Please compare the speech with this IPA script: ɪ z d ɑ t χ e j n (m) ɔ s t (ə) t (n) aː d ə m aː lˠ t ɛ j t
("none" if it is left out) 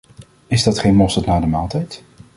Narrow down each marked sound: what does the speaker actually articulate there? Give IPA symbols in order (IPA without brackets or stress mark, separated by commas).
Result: m, ə, n